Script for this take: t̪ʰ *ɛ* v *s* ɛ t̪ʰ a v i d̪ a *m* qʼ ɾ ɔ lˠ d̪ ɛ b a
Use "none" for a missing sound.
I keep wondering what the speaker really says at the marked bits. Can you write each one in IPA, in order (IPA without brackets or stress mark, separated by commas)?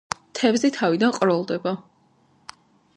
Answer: ɛ, z, n